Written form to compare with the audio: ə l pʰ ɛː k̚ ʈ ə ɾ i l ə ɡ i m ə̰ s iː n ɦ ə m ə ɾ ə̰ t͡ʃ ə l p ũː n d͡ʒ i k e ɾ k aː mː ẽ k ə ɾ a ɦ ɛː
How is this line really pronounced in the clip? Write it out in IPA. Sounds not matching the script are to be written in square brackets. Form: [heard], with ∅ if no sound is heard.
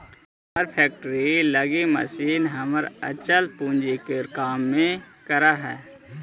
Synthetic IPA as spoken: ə [ɾ] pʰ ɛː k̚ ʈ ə ɾ i l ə ɡ i m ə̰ s iː n ɦ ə m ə ɾ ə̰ t͡ʃ ə l p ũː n d͡ʒ i k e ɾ k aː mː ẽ k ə ɾ a ɦ ɛː